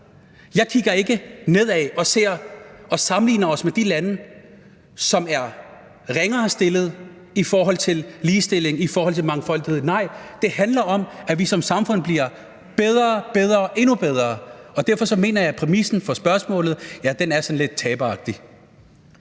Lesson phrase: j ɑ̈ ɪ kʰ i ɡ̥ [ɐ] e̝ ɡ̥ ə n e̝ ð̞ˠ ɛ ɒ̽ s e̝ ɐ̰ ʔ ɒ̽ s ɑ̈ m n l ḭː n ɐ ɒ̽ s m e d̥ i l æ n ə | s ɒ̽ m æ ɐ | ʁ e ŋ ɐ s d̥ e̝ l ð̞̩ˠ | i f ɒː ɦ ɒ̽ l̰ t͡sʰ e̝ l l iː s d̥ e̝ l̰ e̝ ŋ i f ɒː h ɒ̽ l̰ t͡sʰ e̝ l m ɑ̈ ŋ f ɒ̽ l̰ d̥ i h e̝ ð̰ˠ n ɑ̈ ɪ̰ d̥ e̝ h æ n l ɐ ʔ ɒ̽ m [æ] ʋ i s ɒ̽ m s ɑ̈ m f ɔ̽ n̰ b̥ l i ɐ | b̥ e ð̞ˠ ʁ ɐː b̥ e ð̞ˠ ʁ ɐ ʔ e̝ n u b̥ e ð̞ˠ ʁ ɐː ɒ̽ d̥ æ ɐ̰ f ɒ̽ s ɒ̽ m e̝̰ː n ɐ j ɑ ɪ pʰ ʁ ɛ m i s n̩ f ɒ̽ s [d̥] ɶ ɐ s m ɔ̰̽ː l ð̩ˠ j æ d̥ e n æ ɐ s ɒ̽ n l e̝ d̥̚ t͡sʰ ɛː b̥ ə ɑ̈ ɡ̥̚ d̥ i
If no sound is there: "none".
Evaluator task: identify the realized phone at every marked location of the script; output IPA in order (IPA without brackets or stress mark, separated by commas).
ɐ, æ, b̥